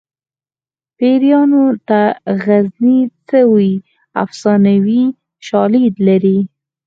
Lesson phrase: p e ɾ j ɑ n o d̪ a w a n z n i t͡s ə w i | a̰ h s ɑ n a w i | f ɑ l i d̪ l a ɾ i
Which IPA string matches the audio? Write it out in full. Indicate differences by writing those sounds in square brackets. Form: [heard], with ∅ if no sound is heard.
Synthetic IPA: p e ɾ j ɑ n o [t̪] a [ɣ] a [∅] z n i t͡s ə w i | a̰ [f] s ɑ n a w i | [ʃ] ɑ l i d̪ l a ɾ i